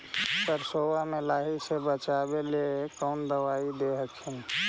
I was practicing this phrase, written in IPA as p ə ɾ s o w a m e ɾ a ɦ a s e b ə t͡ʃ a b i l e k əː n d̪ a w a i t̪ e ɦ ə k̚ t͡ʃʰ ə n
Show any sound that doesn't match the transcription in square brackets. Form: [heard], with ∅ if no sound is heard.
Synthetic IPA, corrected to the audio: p ə ɾ s o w a m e [l] a ɦ [i] s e b ə t͡ʃ a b [e] l e k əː n d̪ [ə] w a i [d̪] e ɦ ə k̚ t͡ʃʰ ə n